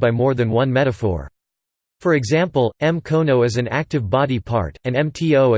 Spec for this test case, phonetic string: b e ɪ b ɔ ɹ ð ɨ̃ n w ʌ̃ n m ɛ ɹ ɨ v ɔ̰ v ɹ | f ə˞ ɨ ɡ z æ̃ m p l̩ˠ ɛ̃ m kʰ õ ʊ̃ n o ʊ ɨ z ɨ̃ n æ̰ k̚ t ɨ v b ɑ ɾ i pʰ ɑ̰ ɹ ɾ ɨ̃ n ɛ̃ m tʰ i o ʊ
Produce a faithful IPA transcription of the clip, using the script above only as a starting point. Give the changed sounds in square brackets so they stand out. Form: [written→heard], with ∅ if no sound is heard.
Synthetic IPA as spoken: b [e→a] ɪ [b→m] ɔ ɹ ð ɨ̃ n w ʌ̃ n m ɛ [ɹ→ɾ] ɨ [v→f] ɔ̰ [v→∅] ɹ | f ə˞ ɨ ɡ z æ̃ m p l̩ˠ ɛ̃ m kʰ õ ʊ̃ n o ʊ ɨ z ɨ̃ n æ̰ k̚ t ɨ v b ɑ ɾ i pʰ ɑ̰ ɹ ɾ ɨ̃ n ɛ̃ m tʰ i o ʊ

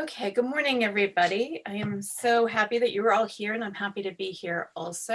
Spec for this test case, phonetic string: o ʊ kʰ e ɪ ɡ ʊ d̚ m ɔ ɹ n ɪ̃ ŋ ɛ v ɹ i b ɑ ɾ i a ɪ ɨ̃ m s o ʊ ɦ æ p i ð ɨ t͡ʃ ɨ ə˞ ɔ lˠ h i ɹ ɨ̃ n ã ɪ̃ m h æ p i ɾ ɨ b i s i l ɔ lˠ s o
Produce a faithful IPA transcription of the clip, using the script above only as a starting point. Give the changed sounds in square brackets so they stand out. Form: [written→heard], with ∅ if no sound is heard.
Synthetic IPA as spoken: o ʊ kʰ e ɪ ɡ ʊ d̚ m ɔ ɹ n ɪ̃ ŋ ɛ v ɹ i b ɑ ɾ i a ɪ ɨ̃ m s o ʊ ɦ æ p i ð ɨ t͡ʃ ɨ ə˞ ɔ lˠ h i ɹ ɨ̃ n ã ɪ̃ m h æ p i ɾ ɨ b i [s→h] i [l→ɹ] ɔ lˠ s o

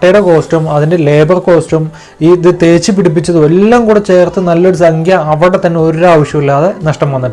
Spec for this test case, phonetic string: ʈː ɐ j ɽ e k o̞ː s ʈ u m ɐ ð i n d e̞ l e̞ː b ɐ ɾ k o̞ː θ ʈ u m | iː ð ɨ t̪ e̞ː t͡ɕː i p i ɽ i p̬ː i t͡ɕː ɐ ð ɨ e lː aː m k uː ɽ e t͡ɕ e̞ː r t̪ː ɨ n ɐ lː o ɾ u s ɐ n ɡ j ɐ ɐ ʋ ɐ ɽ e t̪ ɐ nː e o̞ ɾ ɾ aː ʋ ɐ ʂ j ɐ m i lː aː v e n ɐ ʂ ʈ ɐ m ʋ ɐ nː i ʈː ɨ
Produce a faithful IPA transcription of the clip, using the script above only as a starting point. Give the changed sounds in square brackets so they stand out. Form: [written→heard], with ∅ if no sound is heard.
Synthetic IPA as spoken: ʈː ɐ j ɽ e k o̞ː s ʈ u m ɐ ð i n d e̞ l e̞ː b ɐ [ɾ→r] k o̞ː [θ→s] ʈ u m | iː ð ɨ t̪ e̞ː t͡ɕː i p i ɽ i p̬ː i t͡ɕː ɐ ð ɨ e lː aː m k uː ɽ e t͡ɕ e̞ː r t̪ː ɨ n ɐ lː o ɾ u s ɐ [n→ŋ] ɡ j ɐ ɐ ʋ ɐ ɽ e t̪ ɐ nː e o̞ ɾ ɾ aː ʋ ɐ ʂ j ɐ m i lː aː [v→ð] e n ɐ ʂ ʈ ɐ m ʋ ɐ nː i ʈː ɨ

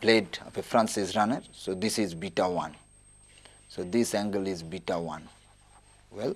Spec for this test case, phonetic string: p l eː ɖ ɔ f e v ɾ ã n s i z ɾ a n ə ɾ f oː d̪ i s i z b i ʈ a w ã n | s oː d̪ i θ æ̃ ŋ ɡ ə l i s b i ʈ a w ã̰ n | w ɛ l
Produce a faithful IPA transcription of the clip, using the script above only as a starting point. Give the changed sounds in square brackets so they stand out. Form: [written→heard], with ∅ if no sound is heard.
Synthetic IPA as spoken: p l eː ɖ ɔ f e [v→f] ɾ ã n s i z ɾ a n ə ɾ [f→s] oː d̪ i s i z b i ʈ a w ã n | s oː d̪ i [θ→s] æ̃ ŋ ɡ ə l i [s→z] b i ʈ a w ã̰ n | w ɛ l

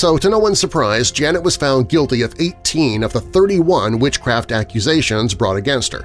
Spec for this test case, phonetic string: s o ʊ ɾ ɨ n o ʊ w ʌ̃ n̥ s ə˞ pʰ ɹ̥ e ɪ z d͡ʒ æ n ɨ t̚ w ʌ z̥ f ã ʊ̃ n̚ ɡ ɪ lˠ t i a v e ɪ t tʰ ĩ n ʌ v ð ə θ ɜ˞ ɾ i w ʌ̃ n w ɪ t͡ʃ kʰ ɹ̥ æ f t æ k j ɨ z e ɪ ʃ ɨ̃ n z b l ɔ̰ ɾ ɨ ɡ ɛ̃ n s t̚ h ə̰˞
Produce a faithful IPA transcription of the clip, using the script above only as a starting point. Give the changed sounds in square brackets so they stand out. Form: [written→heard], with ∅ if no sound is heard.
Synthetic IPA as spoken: s o ʊ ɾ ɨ n o ʊ w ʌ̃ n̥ s ə˞ pʰ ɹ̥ [e→a] ɪ z d͡ʒ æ n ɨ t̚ w ʌ z̥ f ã ʊ̃ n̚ ɡ ɪ lˠ t i [a→ʌ] v e ɪ t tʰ ĩ n ʌ v ð ə θ ɜ˞ ɾ i w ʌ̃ n w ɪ t͡ʃ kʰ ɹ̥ æ f t æ k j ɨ z e ɪ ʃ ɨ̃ n z b [l→ɹ] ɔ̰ ɾ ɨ ɡ ɛ̃ n s t̚ h ə̰˞

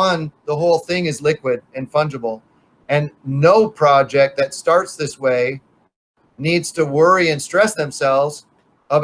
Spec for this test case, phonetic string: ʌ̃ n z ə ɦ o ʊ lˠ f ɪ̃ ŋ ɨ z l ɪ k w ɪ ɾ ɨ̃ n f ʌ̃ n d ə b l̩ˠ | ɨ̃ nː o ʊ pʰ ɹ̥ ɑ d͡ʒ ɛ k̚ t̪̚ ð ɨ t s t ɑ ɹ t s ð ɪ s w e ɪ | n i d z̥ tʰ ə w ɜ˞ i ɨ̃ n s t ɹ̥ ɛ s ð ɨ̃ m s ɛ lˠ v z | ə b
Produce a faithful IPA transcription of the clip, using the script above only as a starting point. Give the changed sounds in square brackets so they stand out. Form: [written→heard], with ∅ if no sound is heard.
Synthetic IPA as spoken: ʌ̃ n [z→ð] ə ɦ o ʊ lˠ [f→θ] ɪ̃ ŋ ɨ z l ɪ k w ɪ ɾ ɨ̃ n f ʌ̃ n [d→d͡ʒ] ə b l̩ˠ | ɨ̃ nː o ʊ pʰ ɹ̥ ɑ d͡ʒ ɛ k̚ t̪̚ ð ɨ t s t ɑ ɹ t s ð ɪ s w e ɪ | n i d z̥ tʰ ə w ɜ˞ i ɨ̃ n s t ɹ̥ ɛ s ð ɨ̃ m s ɛ lˠ v z | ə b

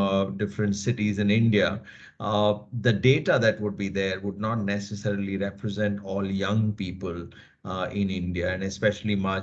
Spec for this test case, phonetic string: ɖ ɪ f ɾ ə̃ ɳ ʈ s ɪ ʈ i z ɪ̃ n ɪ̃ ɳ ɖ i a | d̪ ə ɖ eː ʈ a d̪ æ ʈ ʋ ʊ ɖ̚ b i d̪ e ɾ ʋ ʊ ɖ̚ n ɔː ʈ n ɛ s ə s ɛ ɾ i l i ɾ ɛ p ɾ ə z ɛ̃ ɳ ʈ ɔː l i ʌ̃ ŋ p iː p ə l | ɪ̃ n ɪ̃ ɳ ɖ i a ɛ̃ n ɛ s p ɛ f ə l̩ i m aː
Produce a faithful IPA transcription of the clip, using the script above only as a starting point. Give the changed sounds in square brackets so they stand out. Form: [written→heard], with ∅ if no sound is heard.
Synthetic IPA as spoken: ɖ ɪ f ɾ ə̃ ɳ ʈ s ɪ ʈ i z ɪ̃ n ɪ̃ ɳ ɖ i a | d̪ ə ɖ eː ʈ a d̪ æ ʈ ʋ ʊ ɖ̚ b i d̪ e ɾ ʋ ʊ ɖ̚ n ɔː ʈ n ɛ s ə s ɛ ɾ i l i ɾ ɛ p ɾ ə z ɛ̃ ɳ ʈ ɔː l [i→j] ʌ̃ ŋ p iː p ə l | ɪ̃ n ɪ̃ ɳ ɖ i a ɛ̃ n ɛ s p ɛ [f→ʃ] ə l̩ i m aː

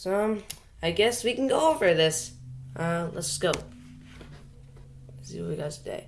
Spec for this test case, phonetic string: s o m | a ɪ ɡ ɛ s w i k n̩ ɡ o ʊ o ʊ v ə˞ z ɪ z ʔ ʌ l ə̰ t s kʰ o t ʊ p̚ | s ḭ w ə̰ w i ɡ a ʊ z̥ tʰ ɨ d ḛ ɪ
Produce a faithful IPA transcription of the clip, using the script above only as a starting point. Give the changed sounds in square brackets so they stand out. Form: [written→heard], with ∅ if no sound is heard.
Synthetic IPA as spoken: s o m | a ɪ ɡ ɛ s w i k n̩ ɡ o ʊ o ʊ v ə˞ [z→ð] ɪ [z→s] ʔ ʌ l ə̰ t s [kʰ→k] o [t→∅] ʊ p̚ | s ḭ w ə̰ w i ɡ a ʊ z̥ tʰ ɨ d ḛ ɪ

